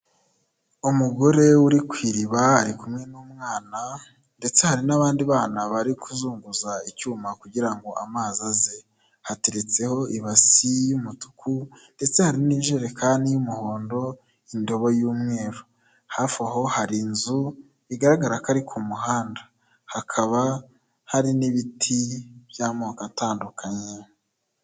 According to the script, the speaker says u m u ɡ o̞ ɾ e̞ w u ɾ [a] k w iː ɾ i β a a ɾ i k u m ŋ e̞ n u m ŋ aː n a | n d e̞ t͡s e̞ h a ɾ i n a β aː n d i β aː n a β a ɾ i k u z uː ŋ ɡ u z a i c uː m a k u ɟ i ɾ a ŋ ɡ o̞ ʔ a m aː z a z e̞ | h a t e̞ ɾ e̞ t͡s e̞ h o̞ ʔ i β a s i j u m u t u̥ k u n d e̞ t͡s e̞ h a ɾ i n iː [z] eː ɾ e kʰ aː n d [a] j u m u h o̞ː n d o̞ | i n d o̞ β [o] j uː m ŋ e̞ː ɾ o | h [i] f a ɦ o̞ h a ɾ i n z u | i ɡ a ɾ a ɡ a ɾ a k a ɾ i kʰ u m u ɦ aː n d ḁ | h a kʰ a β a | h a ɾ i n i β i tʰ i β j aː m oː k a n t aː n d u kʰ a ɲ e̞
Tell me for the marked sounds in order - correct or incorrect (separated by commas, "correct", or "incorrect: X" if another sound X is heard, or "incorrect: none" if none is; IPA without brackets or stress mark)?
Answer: incorrect: i, incorrect: ʒ, incorrect: i, correct, incorrect: a